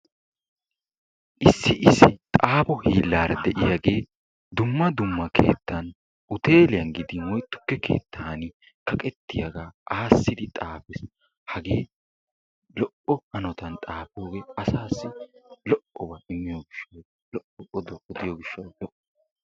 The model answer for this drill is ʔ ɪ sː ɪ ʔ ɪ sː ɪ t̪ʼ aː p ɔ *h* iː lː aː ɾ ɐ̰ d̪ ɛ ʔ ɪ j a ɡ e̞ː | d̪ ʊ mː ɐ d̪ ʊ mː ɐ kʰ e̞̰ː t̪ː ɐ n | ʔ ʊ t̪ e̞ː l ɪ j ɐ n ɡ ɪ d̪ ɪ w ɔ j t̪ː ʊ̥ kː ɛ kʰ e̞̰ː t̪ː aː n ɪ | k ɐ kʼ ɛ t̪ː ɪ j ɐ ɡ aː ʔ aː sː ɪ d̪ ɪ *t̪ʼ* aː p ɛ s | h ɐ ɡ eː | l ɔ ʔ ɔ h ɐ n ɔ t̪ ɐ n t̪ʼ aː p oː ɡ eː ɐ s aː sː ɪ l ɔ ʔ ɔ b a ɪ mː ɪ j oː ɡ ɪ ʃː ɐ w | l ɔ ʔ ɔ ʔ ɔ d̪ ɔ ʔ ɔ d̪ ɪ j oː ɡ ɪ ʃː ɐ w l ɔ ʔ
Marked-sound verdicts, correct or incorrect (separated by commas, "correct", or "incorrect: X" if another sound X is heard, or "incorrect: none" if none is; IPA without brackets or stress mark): correct, correct